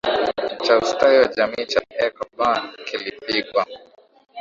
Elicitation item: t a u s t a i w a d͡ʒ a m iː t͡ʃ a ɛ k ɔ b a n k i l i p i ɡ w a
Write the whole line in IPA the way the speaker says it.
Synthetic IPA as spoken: t͡ʃ a u s t a i w a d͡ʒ a m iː t͡ʃ a ɛ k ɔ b a n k i l i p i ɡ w a